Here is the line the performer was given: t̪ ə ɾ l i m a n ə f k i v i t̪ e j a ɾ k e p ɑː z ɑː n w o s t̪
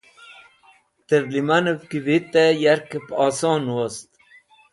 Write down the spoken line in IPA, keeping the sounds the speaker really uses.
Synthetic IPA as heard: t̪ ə ɾ l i m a n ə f k i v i t̪ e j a ɾ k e p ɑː s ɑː n w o s t̪

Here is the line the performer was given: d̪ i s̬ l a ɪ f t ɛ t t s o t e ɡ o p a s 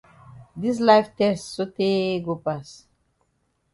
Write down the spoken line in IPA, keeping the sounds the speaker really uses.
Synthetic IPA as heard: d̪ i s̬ l a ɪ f t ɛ s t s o t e ɡ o p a s

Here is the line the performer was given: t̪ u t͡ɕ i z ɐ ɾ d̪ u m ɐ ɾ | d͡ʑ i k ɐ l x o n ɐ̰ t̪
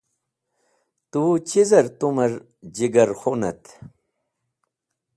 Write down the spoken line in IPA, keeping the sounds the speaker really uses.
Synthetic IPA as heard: t̪ u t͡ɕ i z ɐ ɾ t̪ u m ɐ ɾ | d͡ʑ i ɡ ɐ ɾ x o n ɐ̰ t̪

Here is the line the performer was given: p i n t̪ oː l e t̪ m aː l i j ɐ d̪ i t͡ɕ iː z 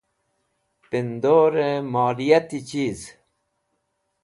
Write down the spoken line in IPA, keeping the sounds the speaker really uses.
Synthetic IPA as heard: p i n d̪ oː ɾ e m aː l i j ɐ t̪ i t͡ɕ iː z

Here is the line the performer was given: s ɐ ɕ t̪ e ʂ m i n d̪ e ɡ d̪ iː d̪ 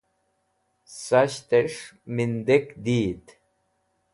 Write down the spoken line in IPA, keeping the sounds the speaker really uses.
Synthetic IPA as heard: s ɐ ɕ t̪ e ʂ m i n d̪ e k d̪ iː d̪

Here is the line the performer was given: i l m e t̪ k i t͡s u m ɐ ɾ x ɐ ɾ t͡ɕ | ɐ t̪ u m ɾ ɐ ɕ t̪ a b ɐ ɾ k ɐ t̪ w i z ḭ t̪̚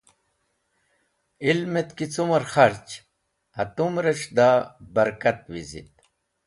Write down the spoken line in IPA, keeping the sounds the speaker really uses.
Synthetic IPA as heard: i l m e t̪ k i t͡s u m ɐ ɾ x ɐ ɾ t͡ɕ | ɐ t̪ u m ɾ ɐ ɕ d̪ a b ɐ ɾ k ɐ t̪ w i z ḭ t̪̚

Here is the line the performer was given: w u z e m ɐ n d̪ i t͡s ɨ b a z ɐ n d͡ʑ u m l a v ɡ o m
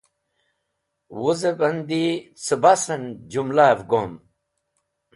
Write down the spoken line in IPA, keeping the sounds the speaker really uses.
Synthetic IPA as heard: w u z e b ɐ n d̪ i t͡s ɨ b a s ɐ n d͡ʑ u m l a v ɡ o m

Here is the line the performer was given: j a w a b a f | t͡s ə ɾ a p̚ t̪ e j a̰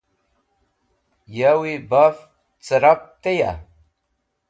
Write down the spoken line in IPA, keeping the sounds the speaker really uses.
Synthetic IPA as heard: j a w i b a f | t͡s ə ɾ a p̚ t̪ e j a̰

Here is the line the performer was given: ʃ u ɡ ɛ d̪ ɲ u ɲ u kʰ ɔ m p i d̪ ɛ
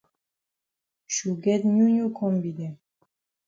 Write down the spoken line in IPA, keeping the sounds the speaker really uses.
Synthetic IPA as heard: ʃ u ɡ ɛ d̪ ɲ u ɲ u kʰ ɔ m b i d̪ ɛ

